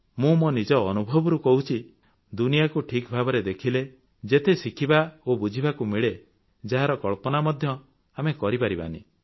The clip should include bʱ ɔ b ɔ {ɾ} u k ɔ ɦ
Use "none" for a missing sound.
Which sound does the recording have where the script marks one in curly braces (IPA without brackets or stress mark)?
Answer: ɾ